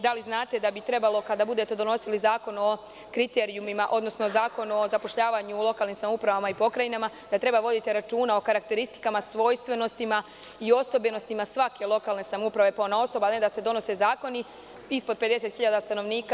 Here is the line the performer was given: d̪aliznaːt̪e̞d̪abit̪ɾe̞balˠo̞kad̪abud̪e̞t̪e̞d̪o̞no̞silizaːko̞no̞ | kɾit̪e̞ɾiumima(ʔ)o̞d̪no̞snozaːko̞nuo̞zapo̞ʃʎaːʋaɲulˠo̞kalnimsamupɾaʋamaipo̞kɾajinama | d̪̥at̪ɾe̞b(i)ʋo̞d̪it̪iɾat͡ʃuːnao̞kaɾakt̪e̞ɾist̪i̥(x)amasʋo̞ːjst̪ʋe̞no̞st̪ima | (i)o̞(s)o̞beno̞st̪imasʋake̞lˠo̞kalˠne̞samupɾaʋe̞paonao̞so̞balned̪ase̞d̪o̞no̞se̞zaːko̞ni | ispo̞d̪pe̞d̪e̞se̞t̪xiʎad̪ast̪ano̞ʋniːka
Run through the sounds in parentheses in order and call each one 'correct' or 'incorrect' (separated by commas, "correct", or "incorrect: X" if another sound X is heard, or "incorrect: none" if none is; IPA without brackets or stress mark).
correct, incorrect: a, incorrect: k, correct, correct